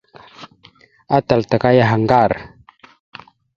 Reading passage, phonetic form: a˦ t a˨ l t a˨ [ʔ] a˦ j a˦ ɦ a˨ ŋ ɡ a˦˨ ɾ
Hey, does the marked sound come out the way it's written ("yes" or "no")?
no